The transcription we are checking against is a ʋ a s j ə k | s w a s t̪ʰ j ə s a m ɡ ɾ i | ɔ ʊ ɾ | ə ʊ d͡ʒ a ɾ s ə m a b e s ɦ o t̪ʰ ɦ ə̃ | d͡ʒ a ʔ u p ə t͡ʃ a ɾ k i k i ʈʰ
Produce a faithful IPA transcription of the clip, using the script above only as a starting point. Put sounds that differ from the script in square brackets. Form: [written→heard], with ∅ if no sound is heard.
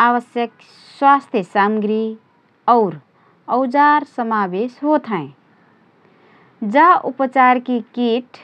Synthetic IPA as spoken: a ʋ [a→ə] s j ə k | s w a s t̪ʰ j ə s a m ɡ ɾ i | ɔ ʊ ɾ | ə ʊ d͡ʒ a ɾ s ə m a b e s ɦ o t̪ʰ ɦ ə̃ | d͡ʒ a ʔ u p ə t͡ʃ a ɾ k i k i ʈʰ

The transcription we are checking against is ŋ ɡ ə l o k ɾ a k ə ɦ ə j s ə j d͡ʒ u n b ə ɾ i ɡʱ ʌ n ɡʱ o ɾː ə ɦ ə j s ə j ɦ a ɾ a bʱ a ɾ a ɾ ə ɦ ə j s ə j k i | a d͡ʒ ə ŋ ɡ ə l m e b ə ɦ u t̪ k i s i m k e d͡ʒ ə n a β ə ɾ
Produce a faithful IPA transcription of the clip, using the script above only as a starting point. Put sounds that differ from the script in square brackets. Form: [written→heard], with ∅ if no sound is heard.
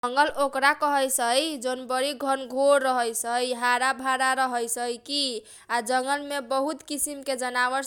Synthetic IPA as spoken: ŋ ɡ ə l o k ɾ a k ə ɦ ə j s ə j d͡ʒ [u→o] n b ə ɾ i ɡʱ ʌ n ɡʱ o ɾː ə ɦ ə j s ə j ɦ a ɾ a bʱ a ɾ a ɾ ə ɦ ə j s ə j k i | a d͡ʒ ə ŋ ɡ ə l m e b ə ɦ u t̪ k i s i m k e d͡ʒ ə n a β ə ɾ

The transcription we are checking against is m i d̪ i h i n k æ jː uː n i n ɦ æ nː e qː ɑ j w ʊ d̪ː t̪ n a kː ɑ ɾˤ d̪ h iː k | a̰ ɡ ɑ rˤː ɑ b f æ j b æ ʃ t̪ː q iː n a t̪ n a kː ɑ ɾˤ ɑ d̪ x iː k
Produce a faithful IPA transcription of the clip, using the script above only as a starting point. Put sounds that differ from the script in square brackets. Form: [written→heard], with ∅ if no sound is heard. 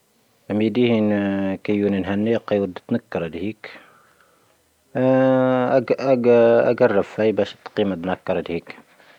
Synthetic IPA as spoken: m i d̪ i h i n k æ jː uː n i n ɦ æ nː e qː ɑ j w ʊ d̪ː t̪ n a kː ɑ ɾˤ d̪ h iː k | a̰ ɡ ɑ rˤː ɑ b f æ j b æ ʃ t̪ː q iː [n→m] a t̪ n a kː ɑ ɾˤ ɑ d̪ [x→h] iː k

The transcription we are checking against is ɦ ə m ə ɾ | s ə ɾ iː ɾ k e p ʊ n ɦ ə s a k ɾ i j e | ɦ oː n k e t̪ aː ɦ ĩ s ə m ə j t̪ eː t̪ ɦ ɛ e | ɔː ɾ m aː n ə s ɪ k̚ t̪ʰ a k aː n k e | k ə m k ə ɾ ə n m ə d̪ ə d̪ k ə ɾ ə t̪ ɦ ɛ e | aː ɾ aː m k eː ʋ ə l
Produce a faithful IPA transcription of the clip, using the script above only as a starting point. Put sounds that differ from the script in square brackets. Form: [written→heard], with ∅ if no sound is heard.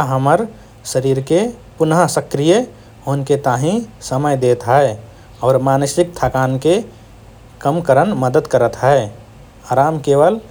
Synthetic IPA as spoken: ɦ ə m ə ɾ | s ə ɾ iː ɾ k e p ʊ n ɦ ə s [a→ə] k ɾ i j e | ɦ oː n k e t̪ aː ɦ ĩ s ə m ə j [t̪→d̪] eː t̪ ɦ ɛ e | ɔː ɾ m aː n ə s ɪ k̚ t̪ʰ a k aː n k e | k ə m k ə ɾ ə n m ə d̪ ə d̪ k ə ɾ ə t̪ ɦ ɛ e | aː ɾ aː m k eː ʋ ə l

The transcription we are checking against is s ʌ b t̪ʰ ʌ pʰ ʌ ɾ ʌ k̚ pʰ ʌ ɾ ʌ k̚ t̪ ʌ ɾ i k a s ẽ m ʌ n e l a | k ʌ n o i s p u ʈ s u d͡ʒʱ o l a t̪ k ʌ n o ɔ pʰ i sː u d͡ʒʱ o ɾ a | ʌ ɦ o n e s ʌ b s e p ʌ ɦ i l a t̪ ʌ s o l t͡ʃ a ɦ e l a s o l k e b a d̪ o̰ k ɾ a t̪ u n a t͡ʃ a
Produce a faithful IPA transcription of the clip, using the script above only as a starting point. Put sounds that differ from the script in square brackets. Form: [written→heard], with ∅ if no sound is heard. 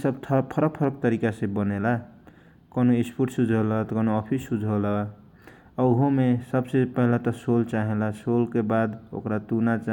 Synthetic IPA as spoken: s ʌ b t̪ʰ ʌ pʰ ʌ ɾ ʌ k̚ pʰ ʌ ɾ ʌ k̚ t̪ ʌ ɾ i k a s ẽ [m→b] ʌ n e l a | k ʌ n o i s p u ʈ s u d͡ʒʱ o l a t̪ k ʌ n o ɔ pʰ i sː u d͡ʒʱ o [ɾ→l] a | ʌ ɦ o [n→m] e s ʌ b s e p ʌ ɦ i l a t̪ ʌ s o l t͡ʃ a ɦ e l a s o l k e b a d̪ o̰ k ɾ a t̪ u n a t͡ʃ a

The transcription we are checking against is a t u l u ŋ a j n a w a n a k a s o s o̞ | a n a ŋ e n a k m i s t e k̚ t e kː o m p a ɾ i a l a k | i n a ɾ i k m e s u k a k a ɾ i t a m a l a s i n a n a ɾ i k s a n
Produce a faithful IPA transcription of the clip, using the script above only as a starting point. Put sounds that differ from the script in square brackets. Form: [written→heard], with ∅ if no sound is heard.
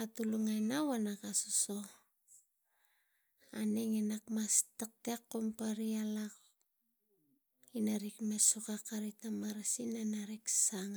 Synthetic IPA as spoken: a t u l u ŋ a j n a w a n a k a s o s o̞ | a n [a→e] ŋ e n a k m [i→a] s t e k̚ t e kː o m p a ɾ i a l a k | i n a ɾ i k m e s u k a k a ɾ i t a m a [l→ɾ] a s i n a n a ɾ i k s a [n→ŋ]

